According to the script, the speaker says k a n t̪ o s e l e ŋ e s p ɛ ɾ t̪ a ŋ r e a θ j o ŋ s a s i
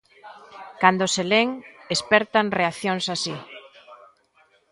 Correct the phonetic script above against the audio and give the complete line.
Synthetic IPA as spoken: k a n d̪ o s e l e ŋ e s p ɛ ɾ t̪ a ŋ r e a θ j o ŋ s a s i